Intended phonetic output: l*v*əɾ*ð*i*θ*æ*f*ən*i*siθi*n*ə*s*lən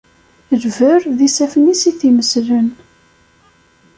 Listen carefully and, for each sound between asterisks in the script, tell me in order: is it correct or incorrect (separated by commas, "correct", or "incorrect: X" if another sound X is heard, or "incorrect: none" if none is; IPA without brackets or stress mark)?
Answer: correct, correct, incorrect: s, correct, correct, incorrect: m, correct